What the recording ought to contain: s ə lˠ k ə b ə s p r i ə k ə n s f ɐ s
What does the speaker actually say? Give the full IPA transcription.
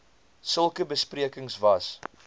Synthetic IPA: s ə lˠ k ə b ə s p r i ə k ə ŋ s v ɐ s

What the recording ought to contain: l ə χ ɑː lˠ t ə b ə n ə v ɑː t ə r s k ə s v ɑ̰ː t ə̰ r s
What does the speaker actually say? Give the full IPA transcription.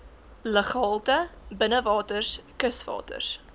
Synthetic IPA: l ə χ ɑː lˠ t ə b ə n ə v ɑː t ə r s k ə s v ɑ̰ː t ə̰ r s

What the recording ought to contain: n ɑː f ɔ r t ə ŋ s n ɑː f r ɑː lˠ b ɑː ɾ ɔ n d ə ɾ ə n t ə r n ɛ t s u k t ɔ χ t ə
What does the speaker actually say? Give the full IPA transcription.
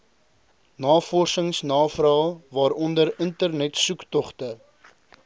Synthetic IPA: n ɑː f ɔ r s ə ŋ s n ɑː f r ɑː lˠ v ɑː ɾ ɔ n d ə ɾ ə n t ə r n ɛ t s u k t ɔ χ t ə

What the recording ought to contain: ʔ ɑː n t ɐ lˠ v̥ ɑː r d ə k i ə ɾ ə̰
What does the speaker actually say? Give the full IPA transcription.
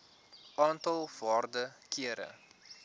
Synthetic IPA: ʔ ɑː n t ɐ lˠ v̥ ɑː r d ə k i ə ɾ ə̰

